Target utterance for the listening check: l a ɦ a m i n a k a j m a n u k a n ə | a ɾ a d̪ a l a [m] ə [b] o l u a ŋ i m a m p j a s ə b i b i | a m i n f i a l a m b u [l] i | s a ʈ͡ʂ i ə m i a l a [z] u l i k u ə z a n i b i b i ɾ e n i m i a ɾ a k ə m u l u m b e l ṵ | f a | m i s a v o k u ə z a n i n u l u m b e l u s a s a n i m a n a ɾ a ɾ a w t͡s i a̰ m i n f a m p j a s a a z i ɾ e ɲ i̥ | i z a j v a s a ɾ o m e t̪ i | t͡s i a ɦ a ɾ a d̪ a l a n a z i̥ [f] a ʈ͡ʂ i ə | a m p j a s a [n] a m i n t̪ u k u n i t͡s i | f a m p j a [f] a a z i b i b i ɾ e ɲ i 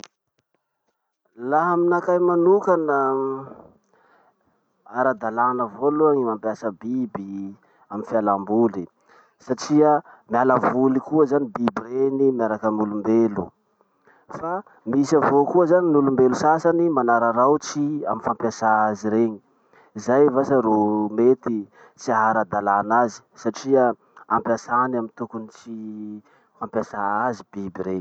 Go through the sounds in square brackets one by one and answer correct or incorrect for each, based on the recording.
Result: incorrect: n, incorrect: v, correct, incorrect: v, incorrect: s, correct, incorrect: s

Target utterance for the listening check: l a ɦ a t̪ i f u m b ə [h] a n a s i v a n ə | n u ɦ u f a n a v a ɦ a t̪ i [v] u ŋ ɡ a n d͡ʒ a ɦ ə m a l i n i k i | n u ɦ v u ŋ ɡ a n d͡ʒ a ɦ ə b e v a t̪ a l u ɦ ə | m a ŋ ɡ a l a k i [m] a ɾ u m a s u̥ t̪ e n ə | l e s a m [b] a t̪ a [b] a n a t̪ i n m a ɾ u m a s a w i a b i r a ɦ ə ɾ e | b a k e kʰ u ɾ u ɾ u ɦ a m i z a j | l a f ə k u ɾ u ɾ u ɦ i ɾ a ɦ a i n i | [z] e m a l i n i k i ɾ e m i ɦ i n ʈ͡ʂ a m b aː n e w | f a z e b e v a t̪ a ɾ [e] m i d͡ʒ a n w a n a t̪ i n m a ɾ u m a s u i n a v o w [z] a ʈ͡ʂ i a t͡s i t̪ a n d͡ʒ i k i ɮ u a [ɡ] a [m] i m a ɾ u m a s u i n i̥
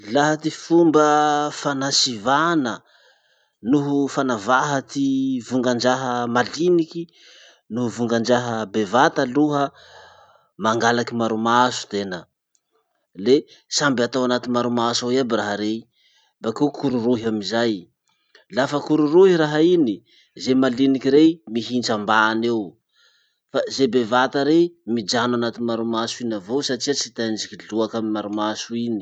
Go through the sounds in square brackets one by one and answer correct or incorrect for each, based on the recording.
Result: incorrect: f, correct, correct, correct, incorrect: w, correct, correct, incorrect: s, incorrect: k, correct

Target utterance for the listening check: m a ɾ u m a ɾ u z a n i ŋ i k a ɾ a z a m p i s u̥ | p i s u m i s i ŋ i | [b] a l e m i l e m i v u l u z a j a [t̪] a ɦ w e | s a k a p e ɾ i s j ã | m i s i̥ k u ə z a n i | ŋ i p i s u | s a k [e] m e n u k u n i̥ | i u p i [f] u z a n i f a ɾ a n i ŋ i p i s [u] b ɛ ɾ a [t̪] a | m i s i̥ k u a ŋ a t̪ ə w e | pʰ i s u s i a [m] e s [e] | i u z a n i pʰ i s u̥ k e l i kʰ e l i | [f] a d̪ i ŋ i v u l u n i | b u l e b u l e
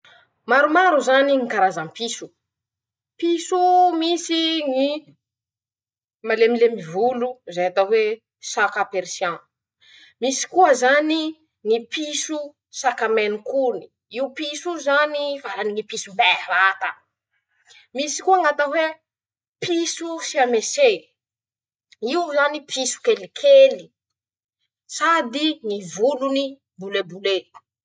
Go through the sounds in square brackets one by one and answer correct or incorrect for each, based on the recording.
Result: incorrect: m, correct, incorrect: a, incorrect: s, correct, correct, correct, correct, incorrect: s

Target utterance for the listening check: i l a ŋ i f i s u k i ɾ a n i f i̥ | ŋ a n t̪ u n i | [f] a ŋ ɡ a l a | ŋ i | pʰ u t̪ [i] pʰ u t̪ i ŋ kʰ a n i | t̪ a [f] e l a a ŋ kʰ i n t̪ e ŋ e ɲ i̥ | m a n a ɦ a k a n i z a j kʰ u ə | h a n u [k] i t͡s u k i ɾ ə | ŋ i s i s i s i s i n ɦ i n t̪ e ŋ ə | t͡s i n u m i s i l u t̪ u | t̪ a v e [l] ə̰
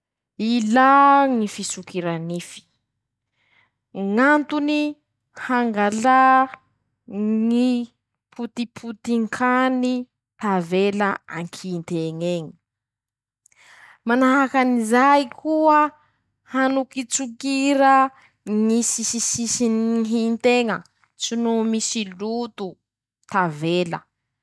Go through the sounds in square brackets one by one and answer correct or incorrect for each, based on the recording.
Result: incorrect: h, correct, incorrect: v, correct, correct

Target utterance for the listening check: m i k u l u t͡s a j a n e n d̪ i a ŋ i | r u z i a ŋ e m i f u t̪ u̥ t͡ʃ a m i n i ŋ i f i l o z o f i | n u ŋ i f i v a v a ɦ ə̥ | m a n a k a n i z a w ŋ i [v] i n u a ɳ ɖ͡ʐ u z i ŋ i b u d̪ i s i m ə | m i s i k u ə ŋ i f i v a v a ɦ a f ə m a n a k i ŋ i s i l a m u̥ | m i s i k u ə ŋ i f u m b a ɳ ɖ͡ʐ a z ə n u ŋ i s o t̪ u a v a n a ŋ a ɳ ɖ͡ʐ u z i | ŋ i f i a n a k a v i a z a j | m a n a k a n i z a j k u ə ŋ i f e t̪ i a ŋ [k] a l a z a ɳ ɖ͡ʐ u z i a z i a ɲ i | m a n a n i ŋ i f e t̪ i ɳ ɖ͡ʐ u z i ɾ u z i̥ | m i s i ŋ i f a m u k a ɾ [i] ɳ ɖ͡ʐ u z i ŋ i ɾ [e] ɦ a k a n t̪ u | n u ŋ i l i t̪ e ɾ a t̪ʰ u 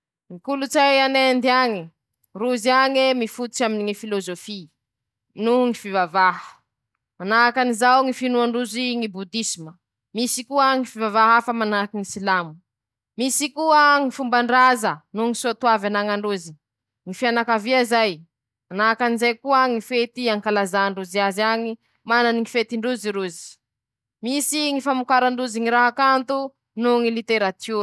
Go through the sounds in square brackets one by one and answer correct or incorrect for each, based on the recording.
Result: incorrect: f, correct, incorrect: a, incorrect: a

